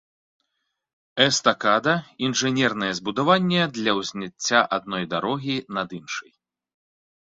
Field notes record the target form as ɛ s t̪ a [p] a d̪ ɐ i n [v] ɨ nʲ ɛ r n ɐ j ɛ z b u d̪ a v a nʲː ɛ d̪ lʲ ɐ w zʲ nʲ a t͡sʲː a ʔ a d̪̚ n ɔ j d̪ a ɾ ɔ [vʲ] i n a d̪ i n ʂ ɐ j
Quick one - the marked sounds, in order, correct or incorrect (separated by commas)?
incorrect, incorrect, incorrect